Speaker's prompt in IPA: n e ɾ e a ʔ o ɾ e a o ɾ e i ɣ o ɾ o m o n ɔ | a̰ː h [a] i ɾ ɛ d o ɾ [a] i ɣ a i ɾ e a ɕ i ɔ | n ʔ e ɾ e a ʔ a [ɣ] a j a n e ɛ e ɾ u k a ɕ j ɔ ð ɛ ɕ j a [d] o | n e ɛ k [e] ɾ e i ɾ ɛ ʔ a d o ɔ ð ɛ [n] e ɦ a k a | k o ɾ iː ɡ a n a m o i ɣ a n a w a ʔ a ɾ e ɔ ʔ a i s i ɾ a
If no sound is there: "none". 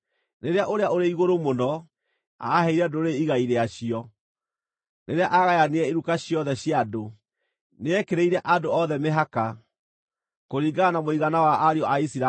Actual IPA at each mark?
ɛ, e, ɣ, d, e, m

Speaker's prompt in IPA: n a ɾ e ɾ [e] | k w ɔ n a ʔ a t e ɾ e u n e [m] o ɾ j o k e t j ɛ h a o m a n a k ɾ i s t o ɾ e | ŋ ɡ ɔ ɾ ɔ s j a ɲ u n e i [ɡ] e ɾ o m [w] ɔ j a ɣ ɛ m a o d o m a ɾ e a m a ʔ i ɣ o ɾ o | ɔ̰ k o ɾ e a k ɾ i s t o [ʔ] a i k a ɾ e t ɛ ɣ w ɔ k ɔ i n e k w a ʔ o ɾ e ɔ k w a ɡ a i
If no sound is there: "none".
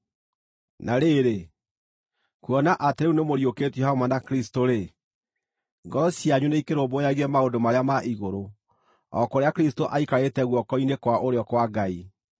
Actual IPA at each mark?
e, m, k, b, ʔ

